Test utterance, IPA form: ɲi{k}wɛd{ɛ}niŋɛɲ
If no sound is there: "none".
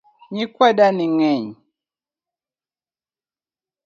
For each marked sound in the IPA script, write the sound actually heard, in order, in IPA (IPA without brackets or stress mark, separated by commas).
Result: k, a